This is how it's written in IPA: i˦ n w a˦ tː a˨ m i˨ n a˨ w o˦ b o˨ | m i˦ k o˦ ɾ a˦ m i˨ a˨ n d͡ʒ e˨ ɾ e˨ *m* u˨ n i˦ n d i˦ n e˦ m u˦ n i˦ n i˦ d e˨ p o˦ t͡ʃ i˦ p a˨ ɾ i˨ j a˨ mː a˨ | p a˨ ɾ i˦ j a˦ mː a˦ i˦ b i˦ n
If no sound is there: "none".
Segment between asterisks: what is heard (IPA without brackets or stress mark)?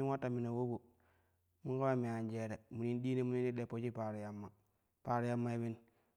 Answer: m